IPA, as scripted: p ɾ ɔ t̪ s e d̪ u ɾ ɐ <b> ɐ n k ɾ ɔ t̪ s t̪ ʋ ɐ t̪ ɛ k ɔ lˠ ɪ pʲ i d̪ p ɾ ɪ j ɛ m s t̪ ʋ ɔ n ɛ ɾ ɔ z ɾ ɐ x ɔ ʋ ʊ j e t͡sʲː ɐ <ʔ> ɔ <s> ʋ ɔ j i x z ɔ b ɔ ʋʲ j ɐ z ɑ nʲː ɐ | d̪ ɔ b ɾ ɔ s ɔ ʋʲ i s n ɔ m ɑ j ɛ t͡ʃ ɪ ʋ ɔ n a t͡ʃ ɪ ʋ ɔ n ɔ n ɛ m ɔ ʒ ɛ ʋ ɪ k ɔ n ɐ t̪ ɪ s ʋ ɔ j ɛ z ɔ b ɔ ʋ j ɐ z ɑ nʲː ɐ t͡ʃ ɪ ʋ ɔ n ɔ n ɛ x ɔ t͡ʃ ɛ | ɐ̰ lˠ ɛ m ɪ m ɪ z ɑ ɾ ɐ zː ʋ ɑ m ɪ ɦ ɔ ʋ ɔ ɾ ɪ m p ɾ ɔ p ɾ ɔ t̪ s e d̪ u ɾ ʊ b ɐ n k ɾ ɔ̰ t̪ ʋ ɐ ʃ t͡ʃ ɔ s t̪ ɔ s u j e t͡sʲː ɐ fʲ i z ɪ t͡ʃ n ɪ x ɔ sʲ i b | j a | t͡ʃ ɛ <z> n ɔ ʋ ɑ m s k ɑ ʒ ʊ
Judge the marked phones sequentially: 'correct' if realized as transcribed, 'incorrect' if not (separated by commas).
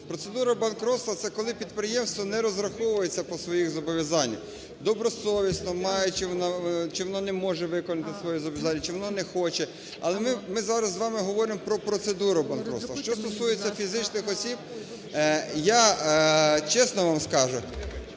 correct, incorrect, correct, incorrect